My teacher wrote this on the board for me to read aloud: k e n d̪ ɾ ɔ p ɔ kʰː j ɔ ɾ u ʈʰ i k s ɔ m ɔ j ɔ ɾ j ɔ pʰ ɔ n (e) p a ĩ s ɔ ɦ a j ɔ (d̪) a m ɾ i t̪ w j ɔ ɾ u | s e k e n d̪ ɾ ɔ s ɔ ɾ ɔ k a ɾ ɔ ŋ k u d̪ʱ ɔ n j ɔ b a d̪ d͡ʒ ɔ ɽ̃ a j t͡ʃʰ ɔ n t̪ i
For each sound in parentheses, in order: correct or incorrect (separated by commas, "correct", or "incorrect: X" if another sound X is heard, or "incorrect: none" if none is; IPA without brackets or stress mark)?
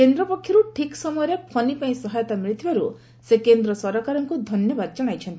incorrect: i, incorrect: t̪